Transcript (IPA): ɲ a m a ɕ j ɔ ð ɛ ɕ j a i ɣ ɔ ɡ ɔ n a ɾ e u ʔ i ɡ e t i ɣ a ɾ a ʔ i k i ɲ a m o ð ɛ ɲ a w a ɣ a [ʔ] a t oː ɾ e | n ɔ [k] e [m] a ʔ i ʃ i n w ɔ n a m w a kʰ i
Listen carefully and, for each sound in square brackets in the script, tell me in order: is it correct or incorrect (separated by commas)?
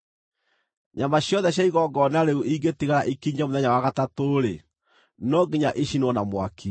incorrect, incorrect, incorrect